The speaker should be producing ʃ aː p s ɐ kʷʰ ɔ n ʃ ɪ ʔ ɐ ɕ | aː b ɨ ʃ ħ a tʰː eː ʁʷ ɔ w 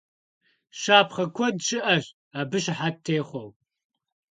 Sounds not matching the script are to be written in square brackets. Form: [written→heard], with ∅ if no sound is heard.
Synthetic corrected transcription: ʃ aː p [s→χ] ɐ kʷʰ ɔ [n→d] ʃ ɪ ʔ ɐ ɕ | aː b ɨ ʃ ħ a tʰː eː [ʁʷ→χʷ] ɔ w